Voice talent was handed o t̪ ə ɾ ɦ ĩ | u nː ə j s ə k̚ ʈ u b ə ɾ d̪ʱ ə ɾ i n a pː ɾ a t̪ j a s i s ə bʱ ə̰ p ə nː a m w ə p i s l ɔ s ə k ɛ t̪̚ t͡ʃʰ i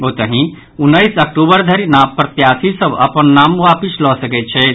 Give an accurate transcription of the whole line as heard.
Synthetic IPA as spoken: o t̪ ə ɦ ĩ | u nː ə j s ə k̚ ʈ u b ə ɾ d̪ʱ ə ɾ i n a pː ɾ ə t̪ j a s i s ə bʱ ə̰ p ə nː a m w a p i s l ɔ s ə k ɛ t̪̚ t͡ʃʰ ɛ